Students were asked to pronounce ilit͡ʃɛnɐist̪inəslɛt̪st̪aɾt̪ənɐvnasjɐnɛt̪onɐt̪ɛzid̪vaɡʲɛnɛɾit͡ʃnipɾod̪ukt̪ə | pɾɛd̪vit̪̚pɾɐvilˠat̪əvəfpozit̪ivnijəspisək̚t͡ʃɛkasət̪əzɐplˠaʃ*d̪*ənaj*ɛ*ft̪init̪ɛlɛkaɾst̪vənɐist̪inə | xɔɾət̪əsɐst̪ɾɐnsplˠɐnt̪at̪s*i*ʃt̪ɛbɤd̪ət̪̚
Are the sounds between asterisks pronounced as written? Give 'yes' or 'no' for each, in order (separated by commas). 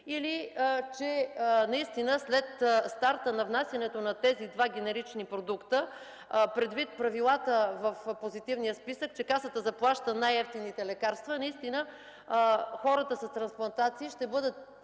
no, yes, no